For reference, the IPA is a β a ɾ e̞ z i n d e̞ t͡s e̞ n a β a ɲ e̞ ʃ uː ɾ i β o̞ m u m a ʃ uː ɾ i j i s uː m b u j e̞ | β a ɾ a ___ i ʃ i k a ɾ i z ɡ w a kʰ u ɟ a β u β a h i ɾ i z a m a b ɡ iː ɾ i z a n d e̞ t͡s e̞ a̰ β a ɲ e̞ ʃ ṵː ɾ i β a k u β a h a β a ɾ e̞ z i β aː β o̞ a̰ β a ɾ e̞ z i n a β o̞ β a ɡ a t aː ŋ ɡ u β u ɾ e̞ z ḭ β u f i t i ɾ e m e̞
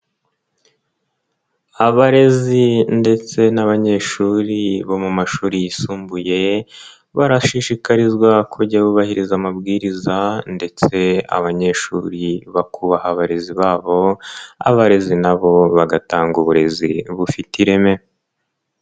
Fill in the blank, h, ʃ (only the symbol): ʃ